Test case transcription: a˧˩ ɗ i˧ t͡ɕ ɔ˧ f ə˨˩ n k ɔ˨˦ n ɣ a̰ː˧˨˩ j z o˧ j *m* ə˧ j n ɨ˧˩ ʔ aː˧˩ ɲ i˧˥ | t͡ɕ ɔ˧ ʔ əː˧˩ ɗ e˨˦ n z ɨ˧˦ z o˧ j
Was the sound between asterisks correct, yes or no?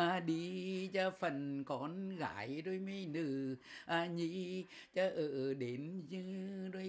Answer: yes